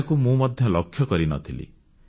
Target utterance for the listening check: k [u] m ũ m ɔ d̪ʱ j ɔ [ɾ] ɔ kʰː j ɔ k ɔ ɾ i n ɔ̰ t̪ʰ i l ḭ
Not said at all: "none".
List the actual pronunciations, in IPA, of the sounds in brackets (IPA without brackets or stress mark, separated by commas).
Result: u, l